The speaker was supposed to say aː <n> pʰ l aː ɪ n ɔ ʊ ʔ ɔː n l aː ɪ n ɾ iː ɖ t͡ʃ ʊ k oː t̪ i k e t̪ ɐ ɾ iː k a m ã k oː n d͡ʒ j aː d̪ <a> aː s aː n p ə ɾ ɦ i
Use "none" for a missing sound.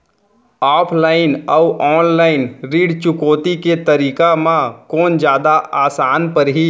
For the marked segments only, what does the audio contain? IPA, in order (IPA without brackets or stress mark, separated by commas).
none, a